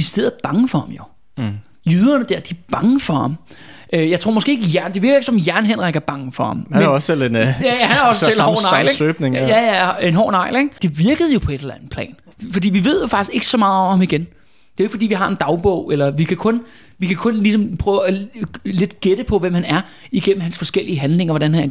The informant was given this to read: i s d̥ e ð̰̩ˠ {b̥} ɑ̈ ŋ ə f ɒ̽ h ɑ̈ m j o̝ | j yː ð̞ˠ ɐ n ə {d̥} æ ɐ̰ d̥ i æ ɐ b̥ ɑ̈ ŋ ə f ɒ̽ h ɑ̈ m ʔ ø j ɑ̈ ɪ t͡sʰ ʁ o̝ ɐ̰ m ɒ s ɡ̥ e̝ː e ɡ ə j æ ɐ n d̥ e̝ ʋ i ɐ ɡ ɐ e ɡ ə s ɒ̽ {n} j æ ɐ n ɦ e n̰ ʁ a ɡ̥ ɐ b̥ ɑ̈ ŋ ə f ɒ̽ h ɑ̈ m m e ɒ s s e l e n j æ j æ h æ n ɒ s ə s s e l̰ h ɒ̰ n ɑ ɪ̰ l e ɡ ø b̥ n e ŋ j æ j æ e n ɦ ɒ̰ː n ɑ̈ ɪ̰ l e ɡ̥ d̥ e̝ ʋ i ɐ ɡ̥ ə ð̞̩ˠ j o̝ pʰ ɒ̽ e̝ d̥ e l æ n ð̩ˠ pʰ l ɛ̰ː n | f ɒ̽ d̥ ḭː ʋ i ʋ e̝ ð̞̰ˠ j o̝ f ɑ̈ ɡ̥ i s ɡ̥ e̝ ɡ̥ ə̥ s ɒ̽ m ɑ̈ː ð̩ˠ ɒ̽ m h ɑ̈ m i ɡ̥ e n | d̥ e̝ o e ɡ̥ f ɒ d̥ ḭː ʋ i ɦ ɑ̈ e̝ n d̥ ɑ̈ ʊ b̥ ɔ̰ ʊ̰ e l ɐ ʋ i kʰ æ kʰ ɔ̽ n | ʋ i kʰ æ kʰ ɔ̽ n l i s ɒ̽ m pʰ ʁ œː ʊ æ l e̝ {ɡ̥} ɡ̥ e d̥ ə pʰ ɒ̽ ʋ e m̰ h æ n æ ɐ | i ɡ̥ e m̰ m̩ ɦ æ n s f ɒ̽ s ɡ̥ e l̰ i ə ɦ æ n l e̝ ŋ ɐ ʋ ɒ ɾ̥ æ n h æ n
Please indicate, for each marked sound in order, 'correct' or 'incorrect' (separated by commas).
correct, correct, incorrect, incorrect